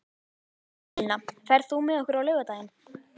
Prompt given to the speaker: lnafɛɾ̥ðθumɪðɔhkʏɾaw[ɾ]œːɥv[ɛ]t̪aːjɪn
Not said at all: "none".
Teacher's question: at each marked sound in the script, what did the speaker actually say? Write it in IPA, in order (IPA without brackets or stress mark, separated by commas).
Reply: l, a